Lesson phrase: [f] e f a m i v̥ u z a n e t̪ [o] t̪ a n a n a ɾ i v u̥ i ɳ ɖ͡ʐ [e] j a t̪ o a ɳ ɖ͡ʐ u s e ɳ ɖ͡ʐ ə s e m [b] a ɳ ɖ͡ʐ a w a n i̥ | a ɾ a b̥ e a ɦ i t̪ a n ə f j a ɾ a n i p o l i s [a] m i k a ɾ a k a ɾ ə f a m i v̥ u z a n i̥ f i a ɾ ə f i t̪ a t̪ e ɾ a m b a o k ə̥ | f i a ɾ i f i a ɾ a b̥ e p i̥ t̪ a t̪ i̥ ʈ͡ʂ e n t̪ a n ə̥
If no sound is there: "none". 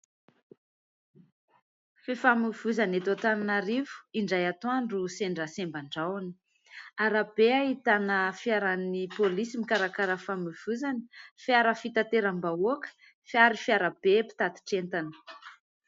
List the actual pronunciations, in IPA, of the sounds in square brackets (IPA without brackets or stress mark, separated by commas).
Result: f, o, a, b, i